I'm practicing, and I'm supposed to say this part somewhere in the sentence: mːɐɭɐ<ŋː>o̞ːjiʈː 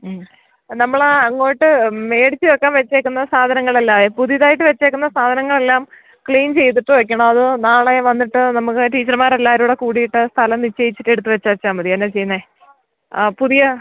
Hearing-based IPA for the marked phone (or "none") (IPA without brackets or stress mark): ŋː